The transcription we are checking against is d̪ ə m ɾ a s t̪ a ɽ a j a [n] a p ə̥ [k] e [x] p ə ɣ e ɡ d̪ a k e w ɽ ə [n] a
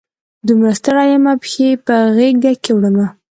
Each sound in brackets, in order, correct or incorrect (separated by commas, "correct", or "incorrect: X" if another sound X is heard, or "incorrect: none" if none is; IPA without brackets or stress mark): incorrect: m, incorrect: x, incorrect: none, incorrect: m